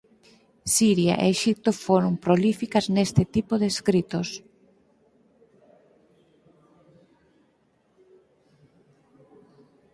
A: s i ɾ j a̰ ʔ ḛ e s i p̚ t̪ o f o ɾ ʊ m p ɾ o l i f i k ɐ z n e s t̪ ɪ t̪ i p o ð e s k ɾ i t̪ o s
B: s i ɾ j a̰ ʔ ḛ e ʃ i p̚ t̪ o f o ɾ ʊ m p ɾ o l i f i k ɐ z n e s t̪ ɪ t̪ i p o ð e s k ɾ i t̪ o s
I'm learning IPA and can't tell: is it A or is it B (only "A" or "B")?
B